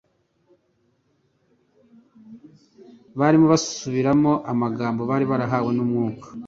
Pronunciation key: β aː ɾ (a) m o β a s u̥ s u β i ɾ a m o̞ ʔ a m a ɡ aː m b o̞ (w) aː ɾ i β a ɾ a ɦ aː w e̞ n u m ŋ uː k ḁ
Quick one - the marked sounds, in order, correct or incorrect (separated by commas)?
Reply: incorrect, incorrect